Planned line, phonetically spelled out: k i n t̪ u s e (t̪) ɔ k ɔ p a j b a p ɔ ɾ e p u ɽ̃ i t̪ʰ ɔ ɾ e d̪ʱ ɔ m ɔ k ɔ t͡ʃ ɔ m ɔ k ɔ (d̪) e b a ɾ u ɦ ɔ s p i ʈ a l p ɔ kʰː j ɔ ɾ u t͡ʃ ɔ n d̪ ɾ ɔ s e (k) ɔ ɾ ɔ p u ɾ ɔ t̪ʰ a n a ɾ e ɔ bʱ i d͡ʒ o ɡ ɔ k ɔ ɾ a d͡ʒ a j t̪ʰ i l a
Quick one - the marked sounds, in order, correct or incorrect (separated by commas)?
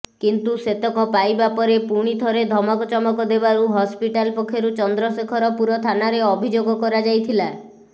correct, correct, incorrect